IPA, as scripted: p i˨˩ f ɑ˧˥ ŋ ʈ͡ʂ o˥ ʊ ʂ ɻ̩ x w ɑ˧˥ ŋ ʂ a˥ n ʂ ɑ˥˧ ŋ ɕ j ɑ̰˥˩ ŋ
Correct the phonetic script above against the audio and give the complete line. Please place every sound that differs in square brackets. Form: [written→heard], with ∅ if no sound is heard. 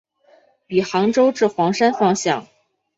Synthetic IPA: p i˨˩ [f→x] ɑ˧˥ ŋ ʈ͡ʂ o˥ ʊ [ʂ→ʈ͡ʂ] ɻ̩ x w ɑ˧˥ ŋ ʂ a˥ n [ʂ→f] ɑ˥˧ ŋ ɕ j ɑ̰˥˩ ŋ